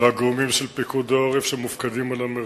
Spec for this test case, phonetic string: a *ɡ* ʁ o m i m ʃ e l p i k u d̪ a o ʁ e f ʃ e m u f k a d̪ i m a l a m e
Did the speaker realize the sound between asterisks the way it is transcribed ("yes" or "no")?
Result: yes